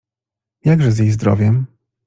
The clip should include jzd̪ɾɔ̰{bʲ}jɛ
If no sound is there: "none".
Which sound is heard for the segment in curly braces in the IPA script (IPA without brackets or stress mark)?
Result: vʲ